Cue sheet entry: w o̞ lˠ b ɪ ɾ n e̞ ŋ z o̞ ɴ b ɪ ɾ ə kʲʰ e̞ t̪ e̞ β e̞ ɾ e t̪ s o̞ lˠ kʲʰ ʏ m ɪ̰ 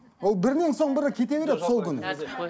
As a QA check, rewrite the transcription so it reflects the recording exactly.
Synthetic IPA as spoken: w o̞ lˠ b ɪ ɾ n e̞ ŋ s o̞ ɴ b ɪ ɾ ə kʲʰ e̞ t̪ e̞ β e̞ ɾ e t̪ s o̞ lˠ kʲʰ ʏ n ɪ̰